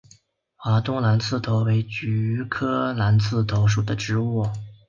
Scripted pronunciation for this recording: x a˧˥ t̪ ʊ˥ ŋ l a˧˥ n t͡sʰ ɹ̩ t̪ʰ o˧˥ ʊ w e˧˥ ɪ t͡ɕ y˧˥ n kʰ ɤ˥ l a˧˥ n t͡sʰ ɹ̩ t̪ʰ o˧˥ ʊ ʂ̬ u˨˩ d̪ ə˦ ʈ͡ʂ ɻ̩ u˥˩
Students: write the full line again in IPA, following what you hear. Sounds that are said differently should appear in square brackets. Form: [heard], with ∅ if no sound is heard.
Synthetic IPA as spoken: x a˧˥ t̪ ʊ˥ ŋ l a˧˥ n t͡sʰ ɹ̩ t̪ʰ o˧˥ ʊ w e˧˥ ɪ t͡ɕ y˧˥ [∅] kʰ ɤ˥ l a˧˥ n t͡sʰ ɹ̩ t̪ʰ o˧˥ ʊ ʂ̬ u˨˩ d̪ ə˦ ʈ͡ʂ ɻ̩ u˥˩